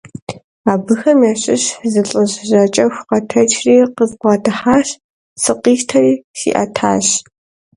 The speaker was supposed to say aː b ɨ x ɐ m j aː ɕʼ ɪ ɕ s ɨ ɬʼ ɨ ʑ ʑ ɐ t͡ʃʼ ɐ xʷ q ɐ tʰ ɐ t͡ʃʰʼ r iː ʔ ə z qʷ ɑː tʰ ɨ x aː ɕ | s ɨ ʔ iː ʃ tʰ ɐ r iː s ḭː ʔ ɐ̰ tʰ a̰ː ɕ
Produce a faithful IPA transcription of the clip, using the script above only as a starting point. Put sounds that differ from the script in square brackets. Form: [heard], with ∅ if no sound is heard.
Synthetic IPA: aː b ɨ x ɐ m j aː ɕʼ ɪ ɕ [z] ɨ ɬʼ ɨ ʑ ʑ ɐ t͡ʃʼ ɐ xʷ q ɐ tʰ ɐ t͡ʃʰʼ r iː [q] ə z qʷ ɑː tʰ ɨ [ħ] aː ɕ | s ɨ [q] iː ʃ tʰ ɐ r iː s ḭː ʔ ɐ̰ tʰ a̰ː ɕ